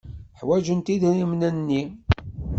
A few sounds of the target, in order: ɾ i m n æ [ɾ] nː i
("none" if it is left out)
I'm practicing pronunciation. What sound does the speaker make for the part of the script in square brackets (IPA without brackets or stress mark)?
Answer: none